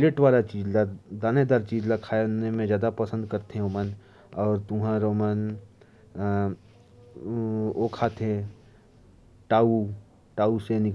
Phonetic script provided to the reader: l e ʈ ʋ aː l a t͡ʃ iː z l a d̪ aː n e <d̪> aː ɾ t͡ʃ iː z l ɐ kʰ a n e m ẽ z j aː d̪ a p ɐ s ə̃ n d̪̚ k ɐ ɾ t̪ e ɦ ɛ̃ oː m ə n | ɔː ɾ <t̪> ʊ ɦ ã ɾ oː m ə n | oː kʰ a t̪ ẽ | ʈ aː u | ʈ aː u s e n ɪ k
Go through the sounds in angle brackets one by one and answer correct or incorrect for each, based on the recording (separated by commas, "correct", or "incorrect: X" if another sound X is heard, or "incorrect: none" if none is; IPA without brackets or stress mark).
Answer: correct, correct